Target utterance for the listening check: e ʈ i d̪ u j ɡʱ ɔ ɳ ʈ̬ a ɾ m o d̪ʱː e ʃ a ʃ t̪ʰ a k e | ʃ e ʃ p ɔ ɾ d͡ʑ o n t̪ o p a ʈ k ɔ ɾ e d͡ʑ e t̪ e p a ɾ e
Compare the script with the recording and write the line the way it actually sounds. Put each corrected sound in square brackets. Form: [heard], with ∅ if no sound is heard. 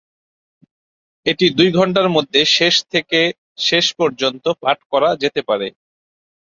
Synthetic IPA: e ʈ i d̪ u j ɡʱ ɔ ɳ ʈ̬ a ɾ m o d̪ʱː e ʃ [e] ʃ t̪ʰ [e] k e | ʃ e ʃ p ɔ ɾ d͡ʑ o n t̪ o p a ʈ k ɔ ɾ [a] d͡ʑ e t̪ e p a ɾ e